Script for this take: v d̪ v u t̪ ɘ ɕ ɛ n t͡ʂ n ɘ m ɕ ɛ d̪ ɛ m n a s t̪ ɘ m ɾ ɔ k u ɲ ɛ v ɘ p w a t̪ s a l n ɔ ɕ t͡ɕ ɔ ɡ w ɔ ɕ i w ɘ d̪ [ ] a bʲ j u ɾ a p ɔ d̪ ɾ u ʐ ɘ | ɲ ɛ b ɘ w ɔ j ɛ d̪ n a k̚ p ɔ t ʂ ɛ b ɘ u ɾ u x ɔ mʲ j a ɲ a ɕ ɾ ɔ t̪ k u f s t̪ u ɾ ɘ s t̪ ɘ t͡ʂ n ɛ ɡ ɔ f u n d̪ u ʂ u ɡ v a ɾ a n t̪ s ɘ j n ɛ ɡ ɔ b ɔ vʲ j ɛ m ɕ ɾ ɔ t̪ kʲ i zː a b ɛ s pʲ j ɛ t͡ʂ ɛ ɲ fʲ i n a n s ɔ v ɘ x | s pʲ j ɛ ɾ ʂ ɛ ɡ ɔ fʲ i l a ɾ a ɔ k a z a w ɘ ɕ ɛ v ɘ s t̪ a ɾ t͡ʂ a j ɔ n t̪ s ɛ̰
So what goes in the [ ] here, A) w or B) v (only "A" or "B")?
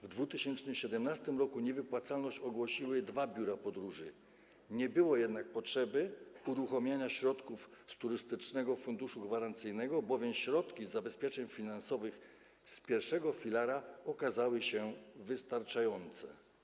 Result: B